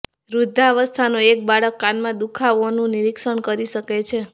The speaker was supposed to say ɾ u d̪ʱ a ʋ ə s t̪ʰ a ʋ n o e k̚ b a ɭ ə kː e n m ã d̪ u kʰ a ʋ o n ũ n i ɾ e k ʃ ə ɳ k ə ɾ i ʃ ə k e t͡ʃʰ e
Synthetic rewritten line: ɾ u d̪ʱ a ʋ ə s t̪ʰ a n o e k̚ b a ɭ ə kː a n m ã d̪ u kʰ a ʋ o n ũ n i ɾ i k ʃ ə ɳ k ə ɾ i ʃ ə k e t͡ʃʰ e